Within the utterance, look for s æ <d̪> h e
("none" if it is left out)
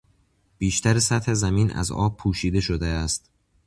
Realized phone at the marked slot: t̪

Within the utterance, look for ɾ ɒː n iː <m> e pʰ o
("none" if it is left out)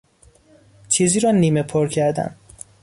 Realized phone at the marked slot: m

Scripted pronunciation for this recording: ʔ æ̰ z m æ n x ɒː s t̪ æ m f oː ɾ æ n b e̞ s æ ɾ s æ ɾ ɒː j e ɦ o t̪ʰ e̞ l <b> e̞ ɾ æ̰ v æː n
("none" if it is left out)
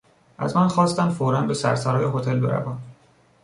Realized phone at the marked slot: b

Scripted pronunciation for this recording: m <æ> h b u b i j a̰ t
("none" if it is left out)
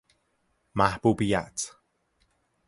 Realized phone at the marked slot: a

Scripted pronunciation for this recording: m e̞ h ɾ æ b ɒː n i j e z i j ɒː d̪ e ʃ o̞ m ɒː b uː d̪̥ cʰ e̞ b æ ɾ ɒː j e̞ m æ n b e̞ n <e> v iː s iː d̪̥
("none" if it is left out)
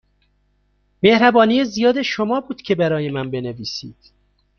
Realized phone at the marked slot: e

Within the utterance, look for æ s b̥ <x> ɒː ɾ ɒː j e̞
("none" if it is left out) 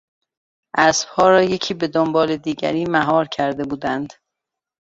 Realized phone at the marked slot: h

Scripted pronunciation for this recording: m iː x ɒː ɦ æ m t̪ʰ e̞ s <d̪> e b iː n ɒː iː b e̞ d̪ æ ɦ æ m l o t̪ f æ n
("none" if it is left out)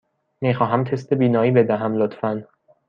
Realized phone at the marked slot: t̪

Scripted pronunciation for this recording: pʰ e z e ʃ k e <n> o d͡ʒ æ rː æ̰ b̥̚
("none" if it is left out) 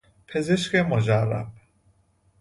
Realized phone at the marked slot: m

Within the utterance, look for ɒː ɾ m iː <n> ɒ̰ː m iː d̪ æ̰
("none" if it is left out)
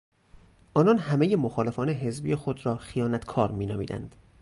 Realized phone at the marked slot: n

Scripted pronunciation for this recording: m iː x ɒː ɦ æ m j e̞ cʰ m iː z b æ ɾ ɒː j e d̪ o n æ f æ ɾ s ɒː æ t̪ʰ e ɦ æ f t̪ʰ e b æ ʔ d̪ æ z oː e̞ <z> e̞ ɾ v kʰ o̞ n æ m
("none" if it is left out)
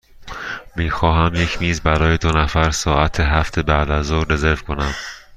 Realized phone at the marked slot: z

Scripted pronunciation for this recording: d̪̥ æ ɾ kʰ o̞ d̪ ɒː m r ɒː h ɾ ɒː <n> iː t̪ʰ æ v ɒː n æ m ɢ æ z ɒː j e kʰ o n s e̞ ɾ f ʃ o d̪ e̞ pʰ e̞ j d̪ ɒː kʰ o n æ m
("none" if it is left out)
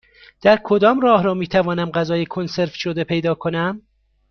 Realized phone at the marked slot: m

